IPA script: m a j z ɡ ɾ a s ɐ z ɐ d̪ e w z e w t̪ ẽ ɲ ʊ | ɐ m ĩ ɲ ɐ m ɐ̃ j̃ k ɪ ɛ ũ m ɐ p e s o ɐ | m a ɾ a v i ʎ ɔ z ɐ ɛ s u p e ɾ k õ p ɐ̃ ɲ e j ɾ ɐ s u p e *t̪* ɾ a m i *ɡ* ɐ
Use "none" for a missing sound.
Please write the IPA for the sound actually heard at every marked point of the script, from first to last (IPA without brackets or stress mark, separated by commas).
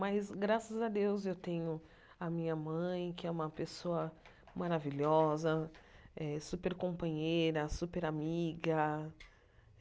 none, ɡ